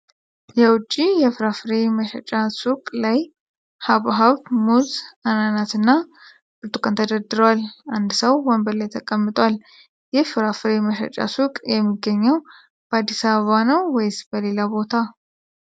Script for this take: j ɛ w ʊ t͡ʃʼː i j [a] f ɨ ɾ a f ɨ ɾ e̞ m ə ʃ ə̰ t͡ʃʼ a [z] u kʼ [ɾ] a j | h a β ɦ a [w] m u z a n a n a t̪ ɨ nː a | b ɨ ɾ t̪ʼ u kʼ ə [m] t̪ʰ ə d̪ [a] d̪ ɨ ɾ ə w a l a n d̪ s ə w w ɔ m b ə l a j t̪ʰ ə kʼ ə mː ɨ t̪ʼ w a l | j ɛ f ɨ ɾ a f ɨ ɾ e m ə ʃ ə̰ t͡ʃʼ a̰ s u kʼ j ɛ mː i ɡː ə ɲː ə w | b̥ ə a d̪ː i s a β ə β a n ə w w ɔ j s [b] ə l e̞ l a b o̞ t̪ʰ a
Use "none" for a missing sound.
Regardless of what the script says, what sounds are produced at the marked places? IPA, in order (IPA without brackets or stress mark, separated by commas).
ɛ, s, l, β, n, ə, b